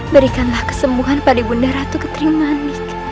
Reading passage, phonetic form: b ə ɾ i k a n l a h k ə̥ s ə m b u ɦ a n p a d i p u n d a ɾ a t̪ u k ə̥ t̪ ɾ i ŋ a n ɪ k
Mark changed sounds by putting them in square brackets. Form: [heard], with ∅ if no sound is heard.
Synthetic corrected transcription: b ə ɾ i k a n l a h k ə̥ s ə m b u ɦ a n p a d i [b] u n d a ɾ a t̪ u k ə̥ t̪ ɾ i [m] a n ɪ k